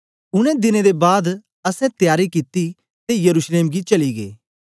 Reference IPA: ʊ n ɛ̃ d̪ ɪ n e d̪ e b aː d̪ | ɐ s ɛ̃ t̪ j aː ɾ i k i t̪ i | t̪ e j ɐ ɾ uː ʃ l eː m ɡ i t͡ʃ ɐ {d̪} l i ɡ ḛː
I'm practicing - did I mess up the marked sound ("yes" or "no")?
yes